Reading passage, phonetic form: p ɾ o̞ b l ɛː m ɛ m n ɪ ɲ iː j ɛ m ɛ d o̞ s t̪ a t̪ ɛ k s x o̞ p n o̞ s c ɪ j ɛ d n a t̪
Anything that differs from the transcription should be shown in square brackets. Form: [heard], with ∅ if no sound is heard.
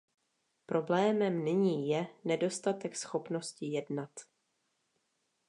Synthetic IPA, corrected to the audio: p ɾ o̞ b l ɛː m ɛ m n ɪ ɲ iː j ɛ [n] ɛ d o̞ s t̪ a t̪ ɛ k s x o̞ p n o̞ s c ɪ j ɛ d n a t̪